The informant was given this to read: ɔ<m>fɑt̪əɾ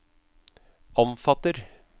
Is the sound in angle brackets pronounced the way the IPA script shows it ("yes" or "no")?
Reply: yes